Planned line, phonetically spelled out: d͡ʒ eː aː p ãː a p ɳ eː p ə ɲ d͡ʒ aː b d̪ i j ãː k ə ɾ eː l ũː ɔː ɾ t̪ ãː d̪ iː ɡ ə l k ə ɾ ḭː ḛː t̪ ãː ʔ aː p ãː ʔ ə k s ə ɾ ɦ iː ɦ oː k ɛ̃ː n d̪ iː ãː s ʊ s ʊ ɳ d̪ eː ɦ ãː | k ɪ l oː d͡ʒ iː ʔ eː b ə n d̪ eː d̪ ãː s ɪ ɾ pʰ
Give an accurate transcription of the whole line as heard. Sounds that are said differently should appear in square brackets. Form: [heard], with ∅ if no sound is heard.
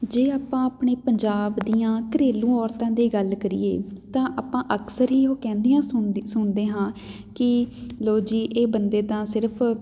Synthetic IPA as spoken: d͡ʒ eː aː p ãː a p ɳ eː p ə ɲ d͡ʒ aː b d̪ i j ãː k ə ɾ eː l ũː ɔː ɾ t̪ ãː d̪ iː ɡ ə l k ə ɾ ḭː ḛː t̪ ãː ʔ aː p ãː ʔ ə k s ə ɾ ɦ iː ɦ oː k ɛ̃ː n d̪ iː ãː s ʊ s ʊ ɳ d̪ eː ɦ ãː | k ɪ l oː d͡ʒ iː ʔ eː b ə n d̪ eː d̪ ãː s ɪ ɾ pʰ